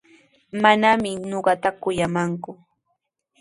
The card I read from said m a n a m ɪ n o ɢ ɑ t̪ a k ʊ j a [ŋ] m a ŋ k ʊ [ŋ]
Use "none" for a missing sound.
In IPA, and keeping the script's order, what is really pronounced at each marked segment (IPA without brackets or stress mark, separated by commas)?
none, none